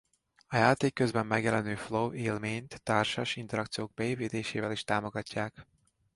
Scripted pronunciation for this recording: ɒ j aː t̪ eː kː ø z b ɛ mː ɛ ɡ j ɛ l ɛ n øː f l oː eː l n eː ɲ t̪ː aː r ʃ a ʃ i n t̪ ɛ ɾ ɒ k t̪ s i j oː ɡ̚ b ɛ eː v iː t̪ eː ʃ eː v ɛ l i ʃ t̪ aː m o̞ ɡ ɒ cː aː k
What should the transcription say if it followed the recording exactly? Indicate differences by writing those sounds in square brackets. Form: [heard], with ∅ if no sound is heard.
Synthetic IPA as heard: ɒ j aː t̪ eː kː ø z b ɛ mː ɛ ɡ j ɛ l ɛ n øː f l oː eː l [m] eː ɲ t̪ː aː r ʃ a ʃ i n t̪ ɛ ɾ ɒ k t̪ s i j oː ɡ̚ b ɛ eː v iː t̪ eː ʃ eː v ɛ l i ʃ t̪ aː m o̞ ɡ ɒ cː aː k